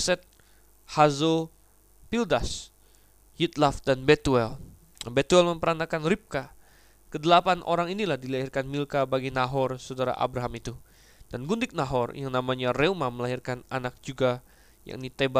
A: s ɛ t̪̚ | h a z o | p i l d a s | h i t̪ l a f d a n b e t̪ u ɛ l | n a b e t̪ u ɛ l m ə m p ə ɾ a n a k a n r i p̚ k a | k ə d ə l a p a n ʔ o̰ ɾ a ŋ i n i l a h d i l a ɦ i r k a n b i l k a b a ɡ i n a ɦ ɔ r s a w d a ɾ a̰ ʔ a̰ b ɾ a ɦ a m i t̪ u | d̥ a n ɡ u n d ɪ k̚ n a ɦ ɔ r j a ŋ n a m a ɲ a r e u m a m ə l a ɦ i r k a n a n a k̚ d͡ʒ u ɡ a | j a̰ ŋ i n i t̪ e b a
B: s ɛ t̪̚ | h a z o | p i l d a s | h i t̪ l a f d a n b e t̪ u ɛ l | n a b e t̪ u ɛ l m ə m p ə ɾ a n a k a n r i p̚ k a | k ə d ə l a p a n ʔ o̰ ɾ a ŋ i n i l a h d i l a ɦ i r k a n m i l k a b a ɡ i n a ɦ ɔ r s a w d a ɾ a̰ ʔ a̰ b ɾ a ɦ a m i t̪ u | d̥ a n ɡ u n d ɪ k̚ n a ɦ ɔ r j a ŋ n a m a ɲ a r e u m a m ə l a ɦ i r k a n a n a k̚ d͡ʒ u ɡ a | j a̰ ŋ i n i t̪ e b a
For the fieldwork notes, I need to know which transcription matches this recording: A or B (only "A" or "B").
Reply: B